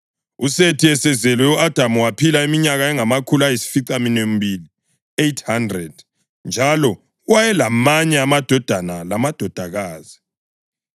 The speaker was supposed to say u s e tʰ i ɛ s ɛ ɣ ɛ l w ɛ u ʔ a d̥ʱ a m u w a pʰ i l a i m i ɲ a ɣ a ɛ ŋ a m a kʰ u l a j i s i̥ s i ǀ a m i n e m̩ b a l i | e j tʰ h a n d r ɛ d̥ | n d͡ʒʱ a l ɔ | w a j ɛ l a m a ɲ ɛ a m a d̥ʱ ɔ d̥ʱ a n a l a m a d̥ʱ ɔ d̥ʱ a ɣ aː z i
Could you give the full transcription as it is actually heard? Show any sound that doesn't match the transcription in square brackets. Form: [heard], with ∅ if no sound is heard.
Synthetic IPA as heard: u s e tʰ i ɛ s ɛ [z] ɛ l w ɛ u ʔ a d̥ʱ a m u w a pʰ i l a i m i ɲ a ɣ a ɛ ŋ a m a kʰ u l a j i s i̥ [f] i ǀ a m i n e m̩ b [i] l i | e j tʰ h a n d r ɛ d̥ | n d͡ʒʱ a l ɔ | w a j ɛ l a m a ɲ ɛ a m a d̥ʱ ɔ d̥ʱ a n a l a m a d̥ʱ ɔ d̥ʱ a ɣ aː z i